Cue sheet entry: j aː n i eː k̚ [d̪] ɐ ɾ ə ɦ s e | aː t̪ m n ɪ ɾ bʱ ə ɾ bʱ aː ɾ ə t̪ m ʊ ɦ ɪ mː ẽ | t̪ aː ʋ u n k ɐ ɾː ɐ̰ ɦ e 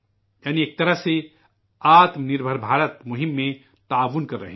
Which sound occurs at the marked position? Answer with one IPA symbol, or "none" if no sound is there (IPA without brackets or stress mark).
t̪